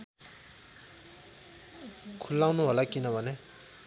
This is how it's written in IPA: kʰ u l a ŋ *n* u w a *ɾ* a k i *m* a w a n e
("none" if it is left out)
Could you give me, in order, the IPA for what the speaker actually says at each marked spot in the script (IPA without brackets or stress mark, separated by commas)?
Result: n, l, n